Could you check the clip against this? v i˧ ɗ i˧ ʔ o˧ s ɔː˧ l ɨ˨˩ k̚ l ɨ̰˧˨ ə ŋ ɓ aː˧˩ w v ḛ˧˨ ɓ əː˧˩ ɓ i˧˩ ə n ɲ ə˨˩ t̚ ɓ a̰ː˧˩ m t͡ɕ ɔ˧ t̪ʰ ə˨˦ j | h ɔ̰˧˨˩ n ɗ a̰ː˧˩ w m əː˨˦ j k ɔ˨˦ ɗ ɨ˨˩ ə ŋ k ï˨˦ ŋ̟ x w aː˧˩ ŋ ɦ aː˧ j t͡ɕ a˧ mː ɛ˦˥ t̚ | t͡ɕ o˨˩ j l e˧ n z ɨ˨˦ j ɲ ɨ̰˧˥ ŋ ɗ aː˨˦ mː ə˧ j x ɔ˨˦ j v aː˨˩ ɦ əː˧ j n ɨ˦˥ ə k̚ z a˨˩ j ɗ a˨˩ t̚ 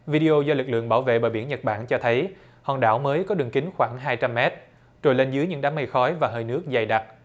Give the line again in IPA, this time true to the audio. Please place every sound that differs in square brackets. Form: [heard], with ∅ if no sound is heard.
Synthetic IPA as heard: v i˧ ɗ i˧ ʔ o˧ [z] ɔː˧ l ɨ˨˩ k̚ l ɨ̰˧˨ ə ŋ ɓ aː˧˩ w v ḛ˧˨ ɓ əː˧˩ ɓ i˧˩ ə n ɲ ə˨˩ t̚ ɓ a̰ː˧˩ [n] t͡ɕ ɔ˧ t̪ʰ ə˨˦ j | h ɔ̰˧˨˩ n ɗ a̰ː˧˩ w m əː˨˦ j k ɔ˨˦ ɗ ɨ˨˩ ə ŋ k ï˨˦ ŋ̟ x w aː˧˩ ŋ ɦ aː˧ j t͡ɕ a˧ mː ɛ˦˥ t̚ | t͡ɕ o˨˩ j l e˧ n z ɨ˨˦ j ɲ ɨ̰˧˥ ŋ ɗ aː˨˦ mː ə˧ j x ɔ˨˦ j v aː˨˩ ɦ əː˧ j n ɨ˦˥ ə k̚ z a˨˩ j ɗ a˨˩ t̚